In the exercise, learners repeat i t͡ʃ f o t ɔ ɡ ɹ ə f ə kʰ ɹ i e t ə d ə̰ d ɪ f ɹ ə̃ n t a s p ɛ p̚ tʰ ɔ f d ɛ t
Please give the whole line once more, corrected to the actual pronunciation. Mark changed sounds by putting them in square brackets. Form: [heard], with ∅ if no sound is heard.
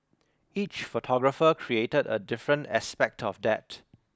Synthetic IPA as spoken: i t͡ʃ f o [tʰ] ɔ ɡ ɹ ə f ə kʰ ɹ i e t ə d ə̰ d ɪ f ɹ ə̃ n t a s p ɛ [k̚] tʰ ɔ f d ɛ t